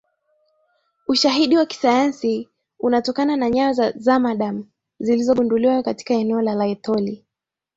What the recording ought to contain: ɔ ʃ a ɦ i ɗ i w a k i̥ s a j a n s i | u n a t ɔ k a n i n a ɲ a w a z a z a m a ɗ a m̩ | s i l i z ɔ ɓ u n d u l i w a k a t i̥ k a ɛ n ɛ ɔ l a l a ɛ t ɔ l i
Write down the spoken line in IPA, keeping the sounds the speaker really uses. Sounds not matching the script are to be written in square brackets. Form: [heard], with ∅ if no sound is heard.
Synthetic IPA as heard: [u] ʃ a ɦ i ɗ i w a k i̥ s a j a n s i | u n a t ɔ k a n [a] n a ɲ a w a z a z a m a ɗ a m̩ | [z] i l i z ɔ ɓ u n d u l i w a k a t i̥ k a ɛ n ɛ ɔ l a l a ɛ t ɔ l i